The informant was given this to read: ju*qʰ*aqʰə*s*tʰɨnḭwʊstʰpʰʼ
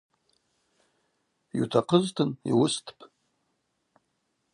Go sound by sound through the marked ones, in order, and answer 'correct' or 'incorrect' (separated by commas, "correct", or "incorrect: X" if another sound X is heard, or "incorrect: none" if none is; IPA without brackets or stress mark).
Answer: incorrect: tʰ, incorrect: z